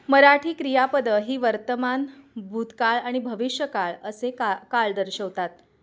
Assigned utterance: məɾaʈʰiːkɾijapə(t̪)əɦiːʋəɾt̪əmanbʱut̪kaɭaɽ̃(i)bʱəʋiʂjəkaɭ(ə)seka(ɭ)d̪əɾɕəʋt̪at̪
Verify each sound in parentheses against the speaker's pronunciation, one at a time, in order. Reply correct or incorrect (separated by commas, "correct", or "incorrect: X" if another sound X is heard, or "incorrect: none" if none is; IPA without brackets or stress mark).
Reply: incorrect: d̪, correct, correct, correct